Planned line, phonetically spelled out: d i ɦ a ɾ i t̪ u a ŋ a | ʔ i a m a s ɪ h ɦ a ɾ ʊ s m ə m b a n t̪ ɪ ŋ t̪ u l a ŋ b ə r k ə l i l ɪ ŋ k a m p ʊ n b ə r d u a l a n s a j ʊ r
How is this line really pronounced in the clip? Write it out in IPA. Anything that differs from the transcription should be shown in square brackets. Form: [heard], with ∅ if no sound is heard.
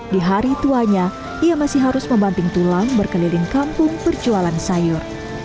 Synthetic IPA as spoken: d i ɦ a ɾ i t̪ u a [ɲ] a | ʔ i a m a s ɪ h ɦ a ɾ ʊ s m ə m b a n t̪ ɪ ŋ t̪ u l a ŋ b ə r k ə l i l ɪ ŋ k a m p ʊ [ŋ] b ə r [d͡ʒ] u a l a n s a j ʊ r